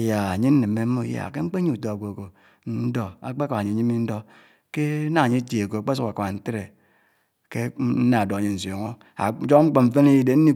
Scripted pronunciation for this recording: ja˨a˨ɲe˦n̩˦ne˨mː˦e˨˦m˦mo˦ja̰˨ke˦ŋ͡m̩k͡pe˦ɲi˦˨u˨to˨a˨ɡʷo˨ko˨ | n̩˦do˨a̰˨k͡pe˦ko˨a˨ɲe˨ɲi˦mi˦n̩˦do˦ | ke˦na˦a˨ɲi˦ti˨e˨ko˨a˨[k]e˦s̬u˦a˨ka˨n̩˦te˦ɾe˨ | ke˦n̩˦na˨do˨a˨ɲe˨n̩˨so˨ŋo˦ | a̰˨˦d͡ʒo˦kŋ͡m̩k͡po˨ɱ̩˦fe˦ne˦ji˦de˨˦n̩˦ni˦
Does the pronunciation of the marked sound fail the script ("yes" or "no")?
yes